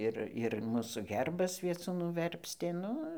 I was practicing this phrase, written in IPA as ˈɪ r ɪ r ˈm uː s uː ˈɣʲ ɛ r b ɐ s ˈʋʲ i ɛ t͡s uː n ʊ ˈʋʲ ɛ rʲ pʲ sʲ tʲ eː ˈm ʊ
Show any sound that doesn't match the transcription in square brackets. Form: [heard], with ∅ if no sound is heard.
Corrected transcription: ˈɪ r ɪ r ˈm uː s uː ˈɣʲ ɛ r b ɐ s ˈʋʲ i ɛ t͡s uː n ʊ ˈʋʲ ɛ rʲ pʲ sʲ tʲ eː [ˈn] ʊ